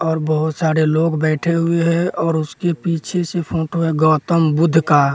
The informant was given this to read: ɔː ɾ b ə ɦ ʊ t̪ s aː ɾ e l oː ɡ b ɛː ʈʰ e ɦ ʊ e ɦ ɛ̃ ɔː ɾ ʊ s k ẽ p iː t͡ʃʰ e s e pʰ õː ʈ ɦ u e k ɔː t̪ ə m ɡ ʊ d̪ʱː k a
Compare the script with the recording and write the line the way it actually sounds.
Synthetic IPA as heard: ɔː ɾ b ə ɦ ʊ t̪ s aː ɾ e l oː ɡ b ɛː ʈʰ e ɦ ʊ e ɦ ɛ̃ ɔː ɾ ʊ s k e p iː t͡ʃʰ e s e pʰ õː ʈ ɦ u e ɡ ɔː t̪ ə m b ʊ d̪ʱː k a